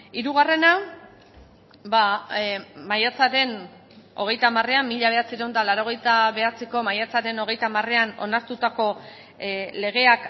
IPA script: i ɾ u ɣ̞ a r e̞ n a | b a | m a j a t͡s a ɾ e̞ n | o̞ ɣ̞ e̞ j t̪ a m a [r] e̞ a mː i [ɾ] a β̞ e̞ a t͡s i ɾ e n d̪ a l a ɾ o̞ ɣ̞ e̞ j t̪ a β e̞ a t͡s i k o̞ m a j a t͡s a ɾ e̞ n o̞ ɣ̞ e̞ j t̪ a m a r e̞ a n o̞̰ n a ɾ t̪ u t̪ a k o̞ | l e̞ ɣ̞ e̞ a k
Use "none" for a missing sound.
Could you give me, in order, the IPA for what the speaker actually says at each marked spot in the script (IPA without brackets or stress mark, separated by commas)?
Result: r, ʎ